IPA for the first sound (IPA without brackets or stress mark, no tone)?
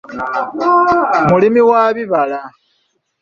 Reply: m